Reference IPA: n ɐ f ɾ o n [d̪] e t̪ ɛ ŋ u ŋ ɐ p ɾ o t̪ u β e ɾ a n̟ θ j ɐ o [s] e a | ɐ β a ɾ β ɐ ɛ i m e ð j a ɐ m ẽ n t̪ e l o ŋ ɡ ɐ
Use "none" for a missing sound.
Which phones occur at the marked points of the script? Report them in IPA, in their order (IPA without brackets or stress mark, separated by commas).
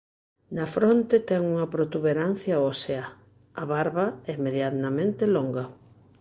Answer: t̪, s